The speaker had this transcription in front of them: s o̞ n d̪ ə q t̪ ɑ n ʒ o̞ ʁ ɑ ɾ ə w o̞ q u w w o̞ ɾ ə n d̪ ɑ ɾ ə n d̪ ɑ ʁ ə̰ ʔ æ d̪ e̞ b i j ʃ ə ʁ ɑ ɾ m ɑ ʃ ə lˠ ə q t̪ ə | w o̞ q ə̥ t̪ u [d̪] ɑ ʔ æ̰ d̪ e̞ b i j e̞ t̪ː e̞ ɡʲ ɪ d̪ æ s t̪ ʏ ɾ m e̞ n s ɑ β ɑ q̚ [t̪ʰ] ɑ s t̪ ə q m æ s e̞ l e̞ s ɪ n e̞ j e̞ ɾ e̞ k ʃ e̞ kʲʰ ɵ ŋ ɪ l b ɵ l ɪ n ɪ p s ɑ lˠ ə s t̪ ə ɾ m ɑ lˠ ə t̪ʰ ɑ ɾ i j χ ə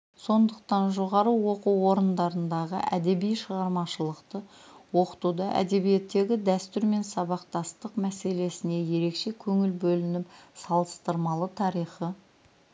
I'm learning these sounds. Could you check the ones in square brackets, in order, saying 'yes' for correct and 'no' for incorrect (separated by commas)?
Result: yes, no